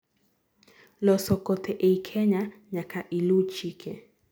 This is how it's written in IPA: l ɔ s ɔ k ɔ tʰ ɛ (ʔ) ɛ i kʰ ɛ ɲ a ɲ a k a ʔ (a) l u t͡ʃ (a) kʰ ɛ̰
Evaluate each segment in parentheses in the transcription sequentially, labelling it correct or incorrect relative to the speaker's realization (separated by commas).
correct, incorrect, incorrect